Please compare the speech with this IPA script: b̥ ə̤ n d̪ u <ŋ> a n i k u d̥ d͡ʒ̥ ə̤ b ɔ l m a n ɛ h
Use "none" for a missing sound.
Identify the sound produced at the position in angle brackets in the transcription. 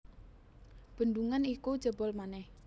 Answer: ŋ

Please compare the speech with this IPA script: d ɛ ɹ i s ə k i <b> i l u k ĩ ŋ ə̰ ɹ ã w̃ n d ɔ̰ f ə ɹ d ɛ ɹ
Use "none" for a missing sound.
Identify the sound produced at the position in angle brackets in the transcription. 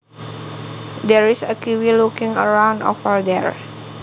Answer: w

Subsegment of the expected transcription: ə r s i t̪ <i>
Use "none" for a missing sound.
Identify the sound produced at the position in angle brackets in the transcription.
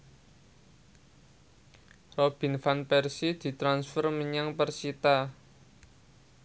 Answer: a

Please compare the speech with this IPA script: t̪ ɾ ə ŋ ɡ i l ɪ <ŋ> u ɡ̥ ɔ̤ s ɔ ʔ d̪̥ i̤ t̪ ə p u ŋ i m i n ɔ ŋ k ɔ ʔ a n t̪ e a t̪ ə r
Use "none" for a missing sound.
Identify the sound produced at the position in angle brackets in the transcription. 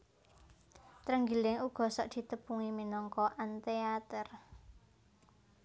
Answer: ŋ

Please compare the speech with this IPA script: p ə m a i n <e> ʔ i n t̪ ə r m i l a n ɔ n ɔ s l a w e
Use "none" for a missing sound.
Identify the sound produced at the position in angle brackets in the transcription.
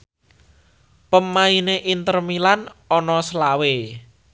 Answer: e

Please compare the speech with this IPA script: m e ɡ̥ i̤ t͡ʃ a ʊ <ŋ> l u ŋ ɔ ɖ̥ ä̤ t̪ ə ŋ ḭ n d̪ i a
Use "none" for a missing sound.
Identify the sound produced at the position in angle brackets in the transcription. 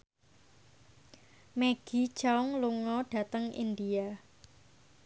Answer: ŋ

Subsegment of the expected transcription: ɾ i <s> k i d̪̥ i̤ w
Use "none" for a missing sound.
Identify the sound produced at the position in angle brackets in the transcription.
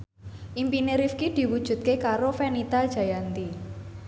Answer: f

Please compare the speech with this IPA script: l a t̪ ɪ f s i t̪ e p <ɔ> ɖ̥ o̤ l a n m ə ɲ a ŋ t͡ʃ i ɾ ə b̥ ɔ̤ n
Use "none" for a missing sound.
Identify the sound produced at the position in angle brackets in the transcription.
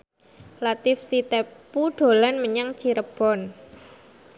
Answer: u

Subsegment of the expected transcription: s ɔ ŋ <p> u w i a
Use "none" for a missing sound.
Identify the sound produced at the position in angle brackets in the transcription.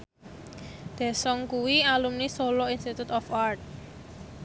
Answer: k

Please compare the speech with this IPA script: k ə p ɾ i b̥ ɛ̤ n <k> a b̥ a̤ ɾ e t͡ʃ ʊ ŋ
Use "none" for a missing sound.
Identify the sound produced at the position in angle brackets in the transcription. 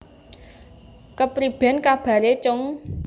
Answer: k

